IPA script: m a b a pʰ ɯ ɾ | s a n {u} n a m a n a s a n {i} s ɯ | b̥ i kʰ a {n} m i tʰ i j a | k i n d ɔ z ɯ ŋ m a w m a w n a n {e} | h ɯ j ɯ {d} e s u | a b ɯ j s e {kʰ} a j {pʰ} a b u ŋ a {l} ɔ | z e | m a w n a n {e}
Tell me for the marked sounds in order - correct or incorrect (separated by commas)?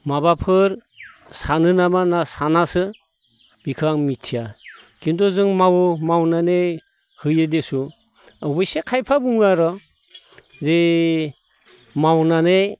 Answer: incorrect, incorrect, incorrect, correct, correct, correct, correct, incorrect, correct